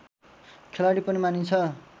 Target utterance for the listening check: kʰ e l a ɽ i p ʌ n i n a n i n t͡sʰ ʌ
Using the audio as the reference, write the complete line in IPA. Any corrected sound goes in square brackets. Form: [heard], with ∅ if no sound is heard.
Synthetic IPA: kʰ e l a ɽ i p ʌ n i [m] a n i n t͡sʰ ʌ